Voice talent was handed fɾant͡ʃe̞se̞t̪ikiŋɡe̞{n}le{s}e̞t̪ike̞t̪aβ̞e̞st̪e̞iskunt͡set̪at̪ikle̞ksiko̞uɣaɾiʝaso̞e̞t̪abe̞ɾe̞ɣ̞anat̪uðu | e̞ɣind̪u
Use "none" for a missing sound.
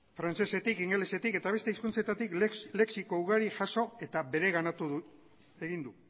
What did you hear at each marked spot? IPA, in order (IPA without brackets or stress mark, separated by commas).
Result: none, s